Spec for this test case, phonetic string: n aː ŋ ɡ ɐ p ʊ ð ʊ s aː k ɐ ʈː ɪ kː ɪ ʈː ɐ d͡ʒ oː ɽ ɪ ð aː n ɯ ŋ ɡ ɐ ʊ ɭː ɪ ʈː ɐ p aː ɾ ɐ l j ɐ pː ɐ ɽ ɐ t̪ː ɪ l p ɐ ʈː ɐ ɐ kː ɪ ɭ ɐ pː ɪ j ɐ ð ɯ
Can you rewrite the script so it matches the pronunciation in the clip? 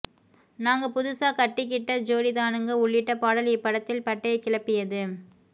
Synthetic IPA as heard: n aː ŋ ɡ ɐ p ʊ ð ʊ s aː k ɐ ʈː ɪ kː ɪ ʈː ɐ d͡ʒ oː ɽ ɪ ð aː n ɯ ŋ ɡ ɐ ʊ ɭː ɪ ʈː ɐ p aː ɽ ɐ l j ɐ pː ɐ ɽ ɐ t̪ː ɪ l p ɐ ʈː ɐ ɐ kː ɪ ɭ ɐ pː ɪ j ɐ ð ɯ